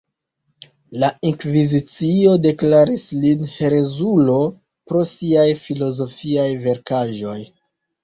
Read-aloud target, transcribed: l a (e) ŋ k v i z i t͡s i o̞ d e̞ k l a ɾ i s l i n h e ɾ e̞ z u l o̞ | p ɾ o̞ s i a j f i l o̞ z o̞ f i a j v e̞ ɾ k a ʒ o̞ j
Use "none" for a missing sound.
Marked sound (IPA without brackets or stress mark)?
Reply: i